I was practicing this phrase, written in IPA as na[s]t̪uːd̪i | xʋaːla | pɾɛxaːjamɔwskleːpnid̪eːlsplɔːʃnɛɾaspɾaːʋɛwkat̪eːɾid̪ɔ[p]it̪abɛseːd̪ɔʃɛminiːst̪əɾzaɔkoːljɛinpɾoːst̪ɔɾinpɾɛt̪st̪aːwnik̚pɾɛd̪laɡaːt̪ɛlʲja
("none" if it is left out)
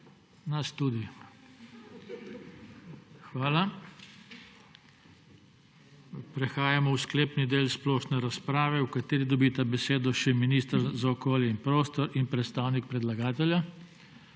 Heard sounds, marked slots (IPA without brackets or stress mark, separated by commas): s, b